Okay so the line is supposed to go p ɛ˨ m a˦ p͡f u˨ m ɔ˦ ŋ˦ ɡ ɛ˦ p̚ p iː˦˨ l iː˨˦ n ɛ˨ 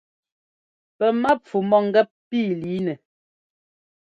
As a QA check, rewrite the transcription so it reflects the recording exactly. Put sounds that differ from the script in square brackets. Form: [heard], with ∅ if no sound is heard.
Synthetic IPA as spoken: p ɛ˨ m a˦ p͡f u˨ m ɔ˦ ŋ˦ ɡ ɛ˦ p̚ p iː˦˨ l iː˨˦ n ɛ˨